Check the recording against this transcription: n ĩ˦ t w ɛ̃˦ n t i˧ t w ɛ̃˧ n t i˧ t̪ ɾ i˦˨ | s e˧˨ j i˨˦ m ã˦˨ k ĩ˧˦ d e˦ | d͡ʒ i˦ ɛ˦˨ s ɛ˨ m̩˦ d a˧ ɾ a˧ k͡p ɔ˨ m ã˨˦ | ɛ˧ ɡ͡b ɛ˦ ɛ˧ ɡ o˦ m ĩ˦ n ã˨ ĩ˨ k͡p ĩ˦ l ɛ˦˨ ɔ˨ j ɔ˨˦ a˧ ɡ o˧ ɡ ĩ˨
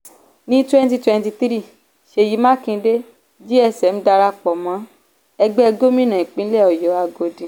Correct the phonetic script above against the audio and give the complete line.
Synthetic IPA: n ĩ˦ t w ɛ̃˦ n t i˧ t w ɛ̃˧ n t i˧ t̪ ɾ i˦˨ | ʃ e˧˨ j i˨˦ m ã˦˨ k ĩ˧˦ d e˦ | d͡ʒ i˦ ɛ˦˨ s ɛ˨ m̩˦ d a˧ ɾ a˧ k͡p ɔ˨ m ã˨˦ | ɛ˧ ɡ͡b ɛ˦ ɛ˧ ɡ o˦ m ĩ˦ n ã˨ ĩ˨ k͡p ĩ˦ l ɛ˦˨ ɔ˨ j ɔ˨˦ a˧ ɡ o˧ d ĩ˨